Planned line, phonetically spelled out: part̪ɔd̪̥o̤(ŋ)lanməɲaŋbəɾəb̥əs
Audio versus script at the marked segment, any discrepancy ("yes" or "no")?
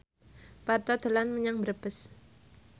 yes